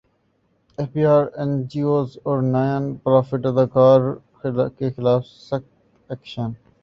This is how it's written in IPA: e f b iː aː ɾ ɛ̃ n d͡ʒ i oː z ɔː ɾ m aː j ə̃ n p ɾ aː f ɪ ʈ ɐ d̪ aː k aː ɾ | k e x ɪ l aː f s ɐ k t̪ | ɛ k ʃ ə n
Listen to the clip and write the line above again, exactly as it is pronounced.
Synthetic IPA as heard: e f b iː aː ɾ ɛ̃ n d͡ʒ i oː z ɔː ɾ n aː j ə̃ n p ɾ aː f ɪ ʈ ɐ d̪ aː k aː ɾ | k e x ɪ l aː f s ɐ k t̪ | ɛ k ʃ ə n